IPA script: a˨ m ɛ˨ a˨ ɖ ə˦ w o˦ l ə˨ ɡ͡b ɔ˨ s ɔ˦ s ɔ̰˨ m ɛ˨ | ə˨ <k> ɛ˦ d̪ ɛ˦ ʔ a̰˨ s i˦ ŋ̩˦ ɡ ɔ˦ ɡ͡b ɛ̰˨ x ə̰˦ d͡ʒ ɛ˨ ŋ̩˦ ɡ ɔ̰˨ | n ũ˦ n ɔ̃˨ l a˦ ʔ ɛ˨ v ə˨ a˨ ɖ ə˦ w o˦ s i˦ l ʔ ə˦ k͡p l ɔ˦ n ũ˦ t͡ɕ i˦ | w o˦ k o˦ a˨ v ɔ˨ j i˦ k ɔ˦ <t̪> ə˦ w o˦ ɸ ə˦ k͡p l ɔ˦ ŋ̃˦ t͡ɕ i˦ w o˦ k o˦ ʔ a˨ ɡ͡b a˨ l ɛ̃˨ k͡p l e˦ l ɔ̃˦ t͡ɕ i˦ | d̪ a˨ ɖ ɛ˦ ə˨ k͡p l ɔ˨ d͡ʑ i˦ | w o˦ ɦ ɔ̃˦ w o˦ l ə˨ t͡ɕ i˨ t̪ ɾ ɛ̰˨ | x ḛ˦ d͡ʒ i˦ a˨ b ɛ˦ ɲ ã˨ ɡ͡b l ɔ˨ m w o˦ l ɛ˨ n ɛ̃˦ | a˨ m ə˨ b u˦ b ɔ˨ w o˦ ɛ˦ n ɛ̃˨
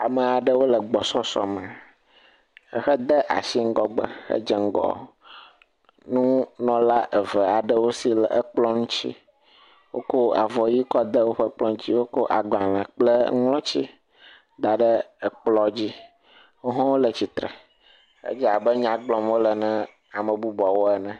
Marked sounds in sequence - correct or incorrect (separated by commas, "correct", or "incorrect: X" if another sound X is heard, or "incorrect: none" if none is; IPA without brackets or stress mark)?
incorrect: x, incorrect: d̪